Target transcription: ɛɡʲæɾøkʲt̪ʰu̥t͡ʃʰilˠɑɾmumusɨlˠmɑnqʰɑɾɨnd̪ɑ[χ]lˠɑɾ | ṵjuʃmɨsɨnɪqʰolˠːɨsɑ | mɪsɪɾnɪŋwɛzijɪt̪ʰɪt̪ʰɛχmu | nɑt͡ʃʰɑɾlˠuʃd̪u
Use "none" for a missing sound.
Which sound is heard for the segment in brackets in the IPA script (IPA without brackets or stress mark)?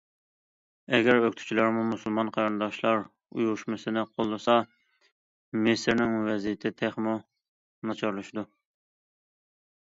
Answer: ʃ